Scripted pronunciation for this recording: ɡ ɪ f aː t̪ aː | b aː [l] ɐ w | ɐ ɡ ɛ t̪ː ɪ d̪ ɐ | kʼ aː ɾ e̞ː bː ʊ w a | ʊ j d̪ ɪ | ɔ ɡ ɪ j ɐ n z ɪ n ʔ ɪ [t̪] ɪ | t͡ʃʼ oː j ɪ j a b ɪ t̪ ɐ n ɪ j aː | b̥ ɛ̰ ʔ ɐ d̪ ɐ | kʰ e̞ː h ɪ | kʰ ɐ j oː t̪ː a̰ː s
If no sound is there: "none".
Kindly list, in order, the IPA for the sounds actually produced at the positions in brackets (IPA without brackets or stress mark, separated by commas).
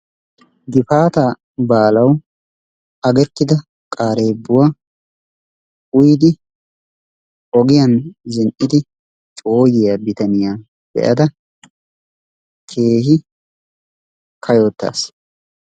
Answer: l, d̪